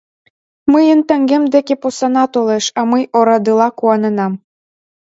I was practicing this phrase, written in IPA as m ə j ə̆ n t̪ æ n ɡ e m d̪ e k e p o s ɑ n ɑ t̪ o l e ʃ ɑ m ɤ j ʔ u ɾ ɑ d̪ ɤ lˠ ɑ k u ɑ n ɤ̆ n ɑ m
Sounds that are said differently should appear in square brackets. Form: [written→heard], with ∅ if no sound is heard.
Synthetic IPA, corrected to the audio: m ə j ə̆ n t̪ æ [n→ŋ] ɡ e m d̪ e k e p o s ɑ n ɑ t̪ o l e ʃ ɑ m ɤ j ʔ [u→o] ɾ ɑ d̪ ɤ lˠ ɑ k u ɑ n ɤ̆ n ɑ m